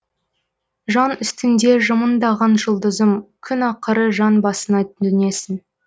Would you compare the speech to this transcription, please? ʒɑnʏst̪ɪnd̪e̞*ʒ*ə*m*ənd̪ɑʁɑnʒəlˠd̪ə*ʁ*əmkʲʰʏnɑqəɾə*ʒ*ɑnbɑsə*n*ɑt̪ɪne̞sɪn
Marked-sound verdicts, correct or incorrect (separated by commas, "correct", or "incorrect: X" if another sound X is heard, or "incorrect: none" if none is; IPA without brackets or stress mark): correct, correct, incorrect: z, correct, correct